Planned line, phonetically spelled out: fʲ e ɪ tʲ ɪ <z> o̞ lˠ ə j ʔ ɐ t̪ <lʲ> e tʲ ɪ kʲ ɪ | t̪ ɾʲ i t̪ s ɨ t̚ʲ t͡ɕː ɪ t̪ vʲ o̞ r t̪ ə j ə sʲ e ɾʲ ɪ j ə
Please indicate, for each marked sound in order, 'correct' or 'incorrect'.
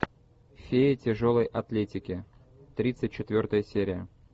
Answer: incorrect: ʐ, correct

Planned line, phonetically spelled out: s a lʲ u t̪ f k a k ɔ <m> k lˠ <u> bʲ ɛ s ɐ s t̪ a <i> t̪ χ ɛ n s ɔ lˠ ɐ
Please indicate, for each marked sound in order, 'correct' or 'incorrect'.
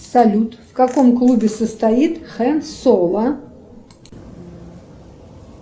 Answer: correct, correct, correct

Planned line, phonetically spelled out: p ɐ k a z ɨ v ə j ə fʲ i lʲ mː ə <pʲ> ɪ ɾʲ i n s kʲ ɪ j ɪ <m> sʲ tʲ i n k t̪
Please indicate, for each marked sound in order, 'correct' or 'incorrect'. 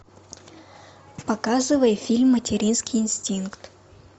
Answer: incorrect: tʲ, incorrect: n

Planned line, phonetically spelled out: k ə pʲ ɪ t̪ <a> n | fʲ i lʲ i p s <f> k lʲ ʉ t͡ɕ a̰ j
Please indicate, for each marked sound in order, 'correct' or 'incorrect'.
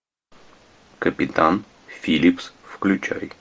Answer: correct, correct

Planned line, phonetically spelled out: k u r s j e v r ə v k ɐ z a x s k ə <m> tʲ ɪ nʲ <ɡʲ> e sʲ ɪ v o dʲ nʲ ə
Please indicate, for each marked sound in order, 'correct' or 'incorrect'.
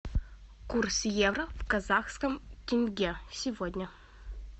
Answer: correct, correct

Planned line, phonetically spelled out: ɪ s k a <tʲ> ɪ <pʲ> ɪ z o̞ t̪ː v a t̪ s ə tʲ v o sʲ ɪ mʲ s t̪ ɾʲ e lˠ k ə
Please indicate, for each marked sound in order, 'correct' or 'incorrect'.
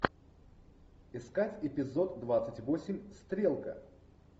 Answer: correct, correct

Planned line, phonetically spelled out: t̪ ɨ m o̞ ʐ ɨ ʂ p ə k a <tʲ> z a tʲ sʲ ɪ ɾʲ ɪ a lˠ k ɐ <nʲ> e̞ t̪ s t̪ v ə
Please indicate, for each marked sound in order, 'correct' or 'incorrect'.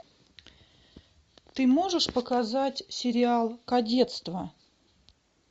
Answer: incorrect: none, incorrect: dʲ

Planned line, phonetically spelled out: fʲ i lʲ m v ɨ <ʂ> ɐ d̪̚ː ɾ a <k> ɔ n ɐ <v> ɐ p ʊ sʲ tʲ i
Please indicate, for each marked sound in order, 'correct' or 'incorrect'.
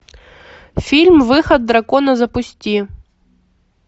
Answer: incorrect: x, correct, incorrect: z

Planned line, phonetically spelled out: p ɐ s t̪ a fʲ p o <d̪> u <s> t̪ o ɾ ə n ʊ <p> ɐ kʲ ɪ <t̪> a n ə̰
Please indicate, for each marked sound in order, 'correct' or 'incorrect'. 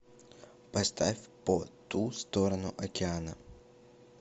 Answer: incorrect: t̪, correct, incorrect: ʔ, incorrect: none

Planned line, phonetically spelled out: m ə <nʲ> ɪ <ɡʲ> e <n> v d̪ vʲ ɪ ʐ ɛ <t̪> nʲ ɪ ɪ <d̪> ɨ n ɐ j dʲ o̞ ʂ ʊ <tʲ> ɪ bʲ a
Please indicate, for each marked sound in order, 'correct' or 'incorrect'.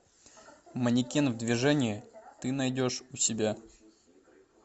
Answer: correct, incorrect: kʲ, correct, incorrect: none, incorrect: t̪, incorrect: sʲ

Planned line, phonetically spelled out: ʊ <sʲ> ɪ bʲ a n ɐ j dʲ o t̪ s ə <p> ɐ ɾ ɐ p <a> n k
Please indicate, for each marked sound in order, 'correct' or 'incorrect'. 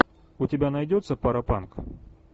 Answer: incorrect: tʲ, correct, correct

